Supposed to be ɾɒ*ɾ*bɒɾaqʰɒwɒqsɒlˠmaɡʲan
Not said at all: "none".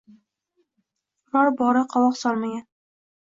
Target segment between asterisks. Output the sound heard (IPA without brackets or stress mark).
ɾ